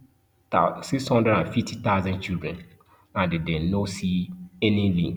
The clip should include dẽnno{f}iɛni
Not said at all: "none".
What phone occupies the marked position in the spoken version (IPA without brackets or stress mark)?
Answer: s